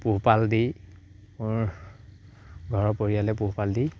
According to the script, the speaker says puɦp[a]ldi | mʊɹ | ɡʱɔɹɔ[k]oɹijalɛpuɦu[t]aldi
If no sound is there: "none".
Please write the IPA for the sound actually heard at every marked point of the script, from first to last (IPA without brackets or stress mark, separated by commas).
a, p, p